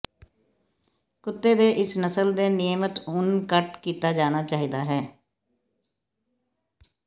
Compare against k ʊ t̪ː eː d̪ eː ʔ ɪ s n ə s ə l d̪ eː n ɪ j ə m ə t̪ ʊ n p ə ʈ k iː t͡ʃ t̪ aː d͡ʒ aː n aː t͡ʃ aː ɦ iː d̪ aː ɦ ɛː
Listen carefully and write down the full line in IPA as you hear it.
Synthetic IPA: k ʊ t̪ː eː d̪ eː ʔ ɪ s n ə s ə l d̪ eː n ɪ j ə m ə t̪ ʊ n k ə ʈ k iː t̪ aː d͡ʒ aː n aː t͡ʃ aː ɦ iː d̪ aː ɦ ɛː